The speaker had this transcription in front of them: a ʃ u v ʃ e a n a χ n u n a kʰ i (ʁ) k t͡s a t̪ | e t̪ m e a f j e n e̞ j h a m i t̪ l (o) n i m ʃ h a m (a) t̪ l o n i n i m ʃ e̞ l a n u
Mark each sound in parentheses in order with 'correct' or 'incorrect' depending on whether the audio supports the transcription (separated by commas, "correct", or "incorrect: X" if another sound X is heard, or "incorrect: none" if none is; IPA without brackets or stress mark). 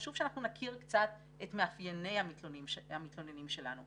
correct, correct, incorrect: i